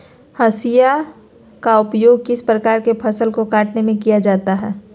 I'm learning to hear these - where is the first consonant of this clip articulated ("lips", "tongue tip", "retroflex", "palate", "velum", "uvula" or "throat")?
throat